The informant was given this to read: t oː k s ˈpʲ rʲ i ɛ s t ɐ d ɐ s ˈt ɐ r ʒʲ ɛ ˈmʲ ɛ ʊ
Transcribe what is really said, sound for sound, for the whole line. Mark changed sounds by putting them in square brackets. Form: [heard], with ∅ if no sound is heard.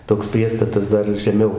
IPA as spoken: t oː k s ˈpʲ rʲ i ɛ s t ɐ [t] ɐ s [ˈd] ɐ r ʒʲ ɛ ˈmʲ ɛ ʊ